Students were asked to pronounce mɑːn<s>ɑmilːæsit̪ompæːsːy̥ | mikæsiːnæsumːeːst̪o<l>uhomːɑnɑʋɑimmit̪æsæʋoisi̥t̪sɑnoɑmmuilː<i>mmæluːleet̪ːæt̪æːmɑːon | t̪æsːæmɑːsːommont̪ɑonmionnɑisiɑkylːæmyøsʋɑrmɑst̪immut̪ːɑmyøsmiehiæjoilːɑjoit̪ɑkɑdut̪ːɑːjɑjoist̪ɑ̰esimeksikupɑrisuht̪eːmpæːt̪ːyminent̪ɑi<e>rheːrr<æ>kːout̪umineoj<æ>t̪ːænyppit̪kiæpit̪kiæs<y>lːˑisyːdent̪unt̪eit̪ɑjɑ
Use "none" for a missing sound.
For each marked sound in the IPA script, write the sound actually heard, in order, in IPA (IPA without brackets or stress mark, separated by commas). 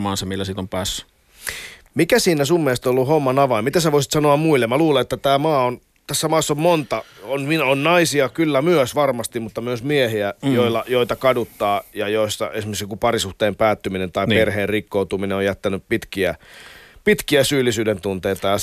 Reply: s, lː, e, e, i, æ, yː